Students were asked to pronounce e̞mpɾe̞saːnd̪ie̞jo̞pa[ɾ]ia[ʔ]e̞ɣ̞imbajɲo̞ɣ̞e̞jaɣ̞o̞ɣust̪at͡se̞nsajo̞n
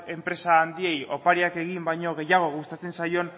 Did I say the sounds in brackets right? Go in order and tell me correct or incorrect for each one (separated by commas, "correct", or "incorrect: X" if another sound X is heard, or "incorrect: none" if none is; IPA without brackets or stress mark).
correct, incorrect: k